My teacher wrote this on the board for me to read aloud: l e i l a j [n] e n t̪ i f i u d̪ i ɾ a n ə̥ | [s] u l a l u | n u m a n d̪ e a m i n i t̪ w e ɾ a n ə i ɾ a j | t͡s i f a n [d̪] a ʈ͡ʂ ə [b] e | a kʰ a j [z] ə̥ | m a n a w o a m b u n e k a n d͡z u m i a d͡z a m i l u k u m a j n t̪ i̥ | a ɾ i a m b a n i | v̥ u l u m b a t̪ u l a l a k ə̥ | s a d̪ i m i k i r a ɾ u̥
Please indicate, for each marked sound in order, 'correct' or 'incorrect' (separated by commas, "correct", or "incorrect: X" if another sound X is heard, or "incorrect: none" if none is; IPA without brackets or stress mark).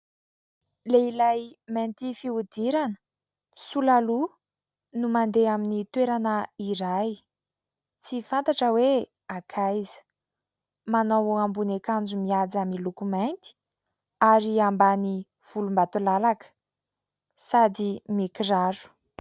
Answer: incorrect: m, correct, incorrect: t̪, incorrect: w, correct